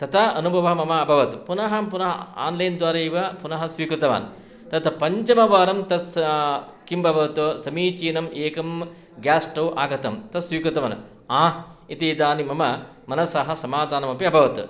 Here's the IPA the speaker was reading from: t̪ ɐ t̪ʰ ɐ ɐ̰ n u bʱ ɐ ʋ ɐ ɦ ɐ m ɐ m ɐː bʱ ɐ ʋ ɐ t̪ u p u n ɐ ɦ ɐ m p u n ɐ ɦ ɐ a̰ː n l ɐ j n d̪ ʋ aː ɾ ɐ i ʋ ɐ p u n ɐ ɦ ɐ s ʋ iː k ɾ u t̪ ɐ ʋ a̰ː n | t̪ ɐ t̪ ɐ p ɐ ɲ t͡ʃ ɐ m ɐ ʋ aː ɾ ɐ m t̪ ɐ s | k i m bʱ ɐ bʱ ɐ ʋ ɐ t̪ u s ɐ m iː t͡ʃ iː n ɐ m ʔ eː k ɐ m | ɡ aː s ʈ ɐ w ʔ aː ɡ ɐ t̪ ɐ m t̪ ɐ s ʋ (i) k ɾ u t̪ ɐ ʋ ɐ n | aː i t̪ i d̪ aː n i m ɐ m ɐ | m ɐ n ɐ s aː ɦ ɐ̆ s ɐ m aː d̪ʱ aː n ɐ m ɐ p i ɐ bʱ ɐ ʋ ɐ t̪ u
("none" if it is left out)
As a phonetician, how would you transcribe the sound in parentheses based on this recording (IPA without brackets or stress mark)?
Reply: iː